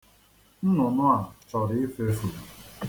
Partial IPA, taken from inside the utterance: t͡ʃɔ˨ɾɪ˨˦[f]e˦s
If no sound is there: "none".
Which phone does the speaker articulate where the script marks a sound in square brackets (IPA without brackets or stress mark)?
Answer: f